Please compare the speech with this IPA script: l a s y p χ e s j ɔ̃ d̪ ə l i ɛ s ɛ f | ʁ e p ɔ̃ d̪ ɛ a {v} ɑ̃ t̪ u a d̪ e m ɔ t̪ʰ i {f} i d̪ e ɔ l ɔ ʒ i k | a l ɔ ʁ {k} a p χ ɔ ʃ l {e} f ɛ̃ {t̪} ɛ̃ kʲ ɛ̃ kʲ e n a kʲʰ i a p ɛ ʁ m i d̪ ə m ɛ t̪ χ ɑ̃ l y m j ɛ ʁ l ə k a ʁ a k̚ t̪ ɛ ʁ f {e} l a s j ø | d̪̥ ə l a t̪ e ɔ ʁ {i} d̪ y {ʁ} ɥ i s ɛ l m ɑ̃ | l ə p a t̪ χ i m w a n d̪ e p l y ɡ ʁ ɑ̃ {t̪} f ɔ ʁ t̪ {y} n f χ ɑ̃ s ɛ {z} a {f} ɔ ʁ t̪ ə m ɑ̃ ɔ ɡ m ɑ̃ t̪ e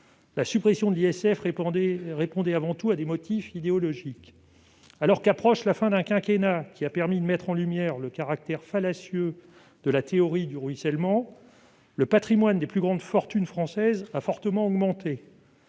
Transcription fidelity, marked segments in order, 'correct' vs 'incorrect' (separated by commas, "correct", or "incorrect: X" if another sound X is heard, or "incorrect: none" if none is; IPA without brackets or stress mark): correct, correct, correct, incorrect: a, incorrect: d̪, incorrect: a, correct, correct, incorrect: d̪, correct, correct, correct